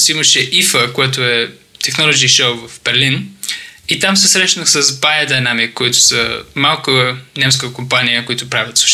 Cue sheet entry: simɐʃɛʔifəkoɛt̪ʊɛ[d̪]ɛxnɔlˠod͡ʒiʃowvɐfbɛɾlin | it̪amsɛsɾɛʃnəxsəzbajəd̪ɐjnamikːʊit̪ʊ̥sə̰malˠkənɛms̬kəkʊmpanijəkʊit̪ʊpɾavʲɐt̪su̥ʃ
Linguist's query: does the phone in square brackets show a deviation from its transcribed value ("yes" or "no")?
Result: yes